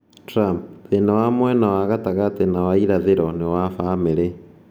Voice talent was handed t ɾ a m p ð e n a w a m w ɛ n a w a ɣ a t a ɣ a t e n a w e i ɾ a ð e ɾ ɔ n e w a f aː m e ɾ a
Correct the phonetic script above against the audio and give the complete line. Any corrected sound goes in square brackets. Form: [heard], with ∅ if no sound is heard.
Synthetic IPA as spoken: t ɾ a m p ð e n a w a m w ɛ n a w a ɣ a t a ɣ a t e n a w [a] i ɾ a ð e ɾ ɔ n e w a f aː m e ɾ [e]